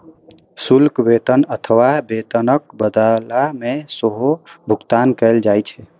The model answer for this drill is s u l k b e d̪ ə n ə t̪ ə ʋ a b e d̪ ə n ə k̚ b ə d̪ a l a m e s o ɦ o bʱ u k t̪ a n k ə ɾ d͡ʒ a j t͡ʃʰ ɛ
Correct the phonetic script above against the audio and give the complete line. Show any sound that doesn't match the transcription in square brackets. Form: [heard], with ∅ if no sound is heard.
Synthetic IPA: s u l k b e [t̪] ə n ə [t̪ʰ] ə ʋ a b e [t̪] ə n ə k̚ b ə d̪ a l a m e s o ɦ o bʱ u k t̪ a n k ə [l] d͡ʒ a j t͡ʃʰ ɛ